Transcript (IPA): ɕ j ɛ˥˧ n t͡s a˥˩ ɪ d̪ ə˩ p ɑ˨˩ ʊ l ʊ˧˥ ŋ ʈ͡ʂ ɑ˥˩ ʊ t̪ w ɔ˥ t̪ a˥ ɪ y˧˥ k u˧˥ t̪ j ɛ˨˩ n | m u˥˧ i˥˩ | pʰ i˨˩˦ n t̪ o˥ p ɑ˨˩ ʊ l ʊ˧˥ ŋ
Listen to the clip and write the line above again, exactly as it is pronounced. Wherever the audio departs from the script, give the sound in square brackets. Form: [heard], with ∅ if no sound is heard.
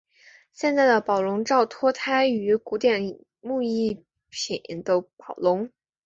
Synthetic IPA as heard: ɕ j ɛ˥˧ n t͡s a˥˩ ɪ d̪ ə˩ p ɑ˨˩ ʊ l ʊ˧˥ ŋ ʈ͡ʂ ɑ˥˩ ʊ [t̪ʰ] w ɔ˥ [t̪ʰ] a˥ ɪ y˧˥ k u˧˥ t̪ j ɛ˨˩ n | m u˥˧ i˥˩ | pʰ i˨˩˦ n t̪ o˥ p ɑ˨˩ ʊ l ʊ˧˥ ŋ